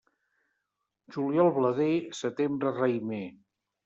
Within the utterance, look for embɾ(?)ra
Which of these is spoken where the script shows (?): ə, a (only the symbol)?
ə